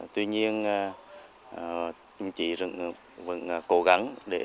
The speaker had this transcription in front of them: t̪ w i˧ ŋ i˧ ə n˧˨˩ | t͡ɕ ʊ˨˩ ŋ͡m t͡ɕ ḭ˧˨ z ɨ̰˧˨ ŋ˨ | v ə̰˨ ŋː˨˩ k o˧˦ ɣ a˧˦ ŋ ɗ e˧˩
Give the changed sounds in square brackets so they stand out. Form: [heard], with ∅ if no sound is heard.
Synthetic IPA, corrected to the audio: t̪ w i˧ [ɲ] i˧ ə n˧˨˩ | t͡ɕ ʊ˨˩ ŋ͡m t͡ɕ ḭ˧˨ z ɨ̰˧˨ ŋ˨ | v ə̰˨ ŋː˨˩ k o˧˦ ɣ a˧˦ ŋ ɗ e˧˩